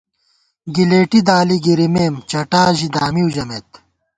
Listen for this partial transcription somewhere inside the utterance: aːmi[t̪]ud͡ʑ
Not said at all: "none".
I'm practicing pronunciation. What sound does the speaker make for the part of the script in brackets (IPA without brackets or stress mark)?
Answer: none